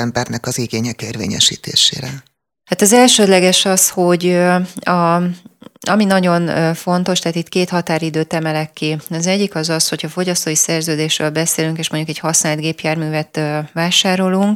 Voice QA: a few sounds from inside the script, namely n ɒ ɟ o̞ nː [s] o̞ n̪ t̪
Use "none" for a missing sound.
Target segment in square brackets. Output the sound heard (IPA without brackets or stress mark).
f